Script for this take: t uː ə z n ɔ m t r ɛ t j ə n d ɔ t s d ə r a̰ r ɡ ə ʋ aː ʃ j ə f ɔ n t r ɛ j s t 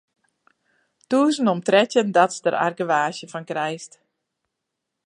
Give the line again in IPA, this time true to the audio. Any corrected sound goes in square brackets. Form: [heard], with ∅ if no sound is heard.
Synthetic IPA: t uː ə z n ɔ m t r ɛ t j ə n d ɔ t s d ə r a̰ r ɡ ə ʋ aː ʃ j ə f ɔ n [k] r ɛ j s t